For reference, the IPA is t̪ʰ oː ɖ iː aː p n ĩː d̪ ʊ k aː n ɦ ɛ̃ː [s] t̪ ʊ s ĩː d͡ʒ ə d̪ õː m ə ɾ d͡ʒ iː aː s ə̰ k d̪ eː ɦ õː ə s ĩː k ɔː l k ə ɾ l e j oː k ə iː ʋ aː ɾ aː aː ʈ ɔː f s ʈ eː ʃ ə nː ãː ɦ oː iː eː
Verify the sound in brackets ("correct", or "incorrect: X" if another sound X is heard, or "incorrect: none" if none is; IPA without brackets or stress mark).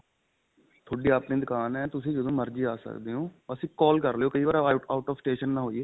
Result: incorrect: none